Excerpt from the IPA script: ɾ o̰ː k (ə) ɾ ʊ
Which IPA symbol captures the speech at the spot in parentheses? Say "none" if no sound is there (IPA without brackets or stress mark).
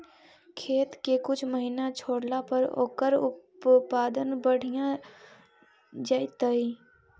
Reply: ə